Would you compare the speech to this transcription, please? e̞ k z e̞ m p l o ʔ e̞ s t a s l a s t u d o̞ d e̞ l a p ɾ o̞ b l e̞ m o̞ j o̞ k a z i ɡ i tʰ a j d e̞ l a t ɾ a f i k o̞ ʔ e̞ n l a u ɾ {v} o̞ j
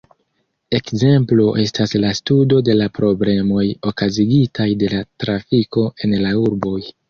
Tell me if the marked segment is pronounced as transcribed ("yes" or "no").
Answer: no